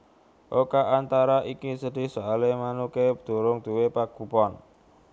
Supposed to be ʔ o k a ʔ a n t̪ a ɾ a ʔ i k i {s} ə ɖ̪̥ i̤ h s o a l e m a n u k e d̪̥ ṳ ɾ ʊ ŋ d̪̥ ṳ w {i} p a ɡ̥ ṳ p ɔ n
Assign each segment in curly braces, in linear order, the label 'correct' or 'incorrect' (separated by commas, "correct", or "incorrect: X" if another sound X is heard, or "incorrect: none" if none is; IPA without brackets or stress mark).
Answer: correct, incorrect: e